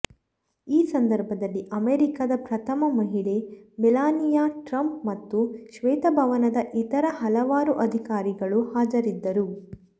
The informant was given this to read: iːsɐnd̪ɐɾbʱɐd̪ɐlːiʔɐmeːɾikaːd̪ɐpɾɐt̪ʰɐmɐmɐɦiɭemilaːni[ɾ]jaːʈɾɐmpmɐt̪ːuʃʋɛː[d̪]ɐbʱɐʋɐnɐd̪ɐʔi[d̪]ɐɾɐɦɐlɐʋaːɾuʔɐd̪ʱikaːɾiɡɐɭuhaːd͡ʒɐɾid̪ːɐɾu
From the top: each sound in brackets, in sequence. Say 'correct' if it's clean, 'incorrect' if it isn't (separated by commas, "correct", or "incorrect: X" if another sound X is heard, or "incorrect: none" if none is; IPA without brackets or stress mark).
incorrect: none, incorrect: t̪, incorrect: t̪